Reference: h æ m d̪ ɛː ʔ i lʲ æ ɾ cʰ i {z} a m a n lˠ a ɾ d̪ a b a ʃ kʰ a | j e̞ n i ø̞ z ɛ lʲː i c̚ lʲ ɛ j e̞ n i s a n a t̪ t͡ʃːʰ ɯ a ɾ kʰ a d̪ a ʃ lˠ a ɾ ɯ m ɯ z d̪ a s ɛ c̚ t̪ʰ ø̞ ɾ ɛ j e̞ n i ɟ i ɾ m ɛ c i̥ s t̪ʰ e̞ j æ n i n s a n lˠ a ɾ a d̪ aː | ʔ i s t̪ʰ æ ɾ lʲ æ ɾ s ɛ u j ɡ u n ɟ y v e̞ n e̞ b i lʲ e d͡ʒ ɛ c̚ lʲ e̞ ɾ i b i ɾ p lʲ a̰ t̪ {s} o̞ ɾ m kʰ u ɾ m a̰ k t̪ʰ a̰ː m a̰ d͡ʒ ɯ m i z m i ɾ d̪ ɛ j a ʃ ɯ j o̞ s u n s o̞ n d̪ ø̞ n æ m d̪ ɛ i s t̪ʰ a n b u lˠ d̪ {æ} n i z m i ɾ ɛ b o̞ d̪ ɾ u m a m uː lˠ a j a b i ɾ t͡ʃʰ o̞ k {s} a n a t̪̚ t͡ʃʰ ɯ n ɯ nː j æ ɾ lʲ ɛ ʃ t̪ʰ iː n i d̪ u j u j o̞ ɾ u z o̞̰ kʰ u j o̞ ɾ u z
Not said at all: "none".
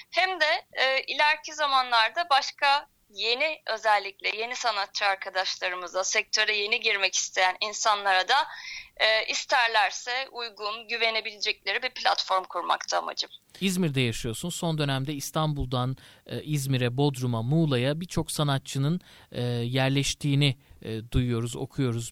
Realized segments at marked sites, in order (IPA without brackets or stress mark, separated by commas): z, f, a, s